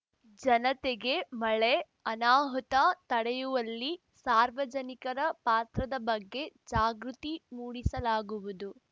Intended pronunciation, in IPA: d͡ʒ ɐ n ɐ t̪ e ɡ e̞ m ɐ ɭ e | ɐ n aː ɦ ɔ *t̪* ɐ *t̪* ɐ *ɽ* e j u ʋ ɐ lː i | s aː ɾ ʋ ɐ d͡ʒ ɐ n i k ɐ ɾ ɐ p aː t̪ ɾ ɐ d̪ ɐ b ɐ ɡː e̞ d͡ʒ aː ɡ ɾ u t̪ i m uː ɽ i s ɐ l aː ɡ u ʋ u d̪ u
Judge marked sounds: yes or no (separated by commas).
yes, yes, yes